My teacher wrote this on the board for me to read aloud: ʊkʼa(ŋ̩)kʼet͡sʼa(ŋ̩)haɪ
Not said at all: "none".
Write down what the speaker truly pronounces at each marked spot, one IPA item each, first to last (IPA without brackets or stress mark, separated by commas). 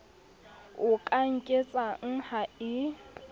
ŋ̩, ŋ̩